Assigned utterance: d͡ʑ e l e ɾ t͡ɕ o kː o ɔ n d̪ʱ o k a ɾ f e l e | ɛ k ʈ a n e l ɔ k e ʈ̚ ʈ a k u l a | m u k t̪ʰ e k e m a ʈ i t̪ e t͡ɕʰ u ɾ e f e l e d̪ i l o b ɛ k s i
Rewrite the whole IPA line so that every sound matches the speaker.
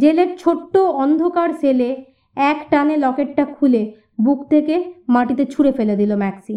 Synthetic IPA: d͡ʑ e l e ɾ t͡ɕʰ o ʈː o ɔ n d̪ʱ o k a ɾ s e l e | ɛ k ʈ a n e l ɔ k e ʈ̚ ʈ a kʰ u l e | b u k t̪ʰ e k e m a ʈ i t̪ e t͡ɕʰ u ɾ e f e l e d̪ i l o m ɛ k s i